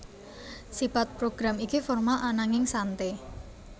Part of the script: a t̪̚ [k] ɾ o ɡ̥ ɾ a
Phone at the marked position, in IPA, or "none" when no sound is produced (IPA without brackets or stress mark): p